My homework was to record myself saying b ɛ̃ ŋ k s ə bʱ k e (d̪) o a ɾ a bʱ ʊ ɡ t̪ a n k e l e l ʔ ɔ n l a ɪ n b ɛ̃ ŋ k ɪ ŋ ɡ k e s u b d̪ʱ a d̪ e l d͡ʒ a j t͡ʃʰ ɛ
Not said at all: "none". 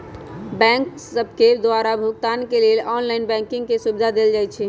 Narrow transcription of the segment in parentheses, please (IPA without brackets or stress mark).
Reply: d̪